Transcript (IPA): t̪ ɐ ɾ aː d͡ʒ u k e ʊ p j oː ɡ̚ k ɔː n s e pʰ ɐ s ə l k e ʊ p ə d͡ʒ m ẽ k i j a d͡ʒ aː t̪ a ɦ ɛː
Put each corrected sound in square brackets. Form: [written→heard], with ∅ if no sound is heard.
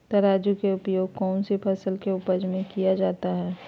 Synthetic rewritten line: t̪ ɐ ɾ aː d͡ʒ u k e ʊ p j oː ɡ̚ k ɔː n s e pʰ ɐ s ə l k e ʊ p ə d͡ʒ m ẽ k i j a d͡ʒ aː t̪ a ɦ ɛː